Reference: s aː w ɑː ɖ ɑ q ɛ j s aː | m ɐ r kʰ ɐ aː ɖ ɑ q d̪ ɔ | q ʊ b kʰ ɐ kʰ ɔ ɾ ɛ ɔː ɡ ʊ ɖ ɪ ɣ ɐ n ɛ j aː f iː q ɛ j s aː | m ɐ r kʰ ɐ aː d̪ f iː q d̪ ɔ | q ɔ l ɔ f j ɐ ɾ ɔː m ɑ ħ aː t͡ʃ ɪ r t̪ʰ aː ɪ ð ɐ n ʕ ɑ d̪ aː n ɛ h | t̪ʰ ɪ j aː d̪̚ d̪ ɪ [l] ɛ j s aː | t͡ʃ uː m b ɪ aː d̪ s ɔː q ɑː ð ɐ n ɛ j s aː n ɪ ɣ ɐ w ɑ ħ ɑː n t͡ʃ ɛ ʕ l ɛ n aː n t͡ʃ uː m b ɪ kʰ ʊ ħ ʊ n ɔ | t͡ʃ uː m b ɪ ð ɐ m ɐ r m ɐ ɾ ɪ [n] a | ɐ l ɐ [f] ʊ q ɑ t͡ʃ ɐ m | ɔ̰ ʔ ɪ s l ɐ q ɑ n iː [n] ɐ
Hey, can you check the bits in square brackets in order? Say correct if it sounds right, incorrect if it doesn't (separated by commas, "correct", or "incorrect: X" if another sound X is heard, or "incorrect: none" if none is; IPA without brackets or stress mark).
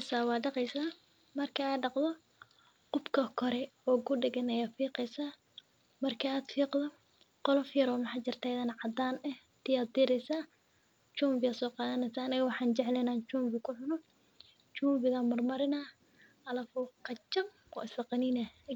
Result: incorrect: ɾ, correct, correct, correct